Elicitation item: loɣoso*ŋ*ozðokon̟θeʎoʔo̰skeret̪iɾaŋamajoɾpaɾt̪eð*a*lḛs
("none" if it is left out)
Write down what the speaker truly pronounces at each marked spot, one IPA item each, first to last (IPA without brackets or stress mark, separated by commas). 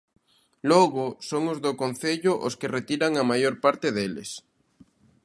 ŋ, e